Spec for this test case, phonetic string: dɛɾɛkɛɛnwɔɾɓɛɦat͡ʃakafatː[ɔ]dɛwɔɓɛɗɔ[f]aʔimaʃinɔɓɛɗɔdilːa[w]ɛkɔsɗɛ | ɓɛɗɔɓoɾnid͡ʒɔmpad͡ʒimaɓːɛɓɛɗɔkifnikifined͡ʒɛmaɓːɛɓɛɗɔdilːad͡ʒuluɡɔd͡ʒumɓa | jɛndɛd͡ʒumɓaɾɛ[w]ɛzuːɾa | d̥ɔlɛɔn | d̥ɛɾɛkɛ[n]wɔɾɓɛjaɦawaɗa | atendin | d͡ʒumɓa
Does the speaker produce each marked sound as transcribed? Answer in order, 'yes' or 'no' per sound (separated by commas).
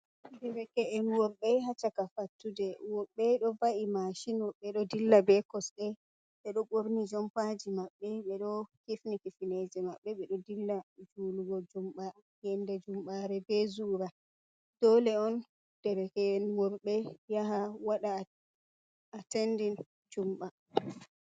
no, no, no, no, yes